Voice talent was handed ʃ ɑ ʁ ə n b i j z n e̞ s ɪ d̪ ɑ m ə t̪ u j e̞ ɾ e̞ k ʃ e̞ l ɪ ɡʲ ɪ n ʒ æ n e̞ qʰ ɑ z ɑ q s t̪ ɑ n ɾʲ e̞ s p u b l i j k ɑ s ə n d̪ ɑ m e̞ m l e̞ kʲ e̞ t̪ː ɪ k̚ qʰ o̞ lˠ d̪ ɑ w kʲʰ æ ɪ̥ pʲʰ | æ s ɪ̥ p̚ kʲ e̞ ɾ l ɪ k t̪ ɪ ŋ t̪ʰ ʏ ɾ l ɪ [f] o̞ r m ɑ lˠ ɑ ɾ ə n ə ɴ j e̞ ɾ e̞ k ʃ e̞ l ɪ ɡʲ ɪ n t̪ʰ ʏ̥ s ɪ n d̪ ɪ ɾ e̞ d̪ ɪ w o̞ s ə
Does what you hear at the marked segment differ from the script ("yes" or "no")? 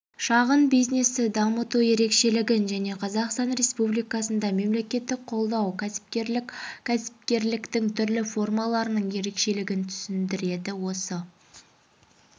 no